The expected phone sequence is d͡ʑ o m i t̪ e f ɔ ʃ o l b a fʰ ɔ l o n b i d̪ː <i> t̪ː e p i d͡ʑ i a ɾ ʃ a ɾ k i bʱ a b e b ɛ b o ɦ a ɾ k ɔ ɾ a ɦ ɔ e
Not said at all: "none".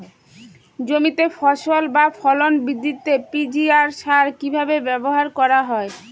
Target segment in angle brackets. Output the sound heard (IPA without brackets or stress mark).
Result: i